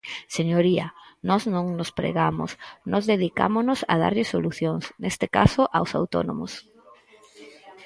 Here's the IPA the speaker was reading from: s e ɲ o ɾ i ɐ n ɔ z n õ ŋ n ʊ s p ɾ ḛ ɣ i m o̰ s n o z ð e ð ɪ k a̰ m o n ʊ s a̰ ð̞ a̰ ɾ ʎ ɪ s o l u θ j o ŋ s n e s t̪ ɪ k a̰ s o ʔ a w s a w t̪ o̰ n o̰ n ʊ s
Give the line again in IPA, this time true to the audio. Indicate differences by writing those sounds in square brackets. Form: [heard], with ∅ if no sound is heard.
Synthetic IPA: s e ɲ o ɾ i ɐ n ɔ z n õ ŋ n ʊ s p ɾ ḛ ɣ [a] m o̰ s n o z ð e ð [i] k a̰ m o n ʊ s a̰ ð̞ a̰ ɾ ʎ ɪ s o l u θ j o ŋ s n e s t̪ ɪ k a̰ s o ʔ a w s a w t̪ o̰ n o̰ [m] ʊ s